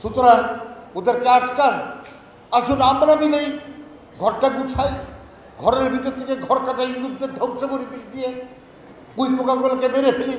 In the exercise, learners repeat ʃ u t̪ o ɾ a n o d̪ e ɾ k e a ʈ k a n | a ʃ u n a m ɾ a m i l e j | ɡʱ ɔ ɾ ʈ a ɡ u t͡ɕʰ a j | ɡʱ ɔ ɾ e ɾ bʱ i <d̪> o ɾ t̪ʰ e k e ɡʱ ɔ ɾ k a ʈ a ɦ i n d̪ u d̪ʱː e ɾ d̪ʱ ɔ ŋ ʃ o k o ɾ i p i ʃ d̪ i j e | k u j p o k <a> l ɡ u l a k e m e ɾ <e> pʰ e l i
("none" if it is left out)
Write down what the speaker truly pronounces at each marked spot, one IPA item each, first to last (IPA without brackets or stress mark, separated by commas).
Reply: t̪, a, e